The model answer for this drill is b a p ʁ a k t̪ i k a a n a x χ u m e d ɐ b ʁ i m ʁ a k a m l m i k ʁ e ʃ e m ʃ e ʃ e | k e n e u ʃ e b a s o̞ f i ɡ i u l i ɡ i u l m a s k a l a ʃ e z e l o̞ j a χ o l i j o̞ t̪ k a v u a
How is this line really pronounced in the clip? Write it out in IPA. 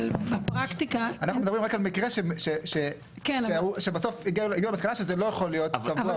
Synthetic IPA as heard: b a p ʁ a k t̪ i k a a n a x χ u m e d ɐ b ʁ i m ʁ a k a l m i k ʁ e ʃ e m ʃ e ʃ e | k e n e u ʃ e b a s o̞ f i ɡ i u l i ɡ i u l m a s k a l a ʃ e z e l o̞ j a χ o l i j o̞ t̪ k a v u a